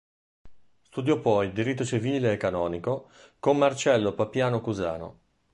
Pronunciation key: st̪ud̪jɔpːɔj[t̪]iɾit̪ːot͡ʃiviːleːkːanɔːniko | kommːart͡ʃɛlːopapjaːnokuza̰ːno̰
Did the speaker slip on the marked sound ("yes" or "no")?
yes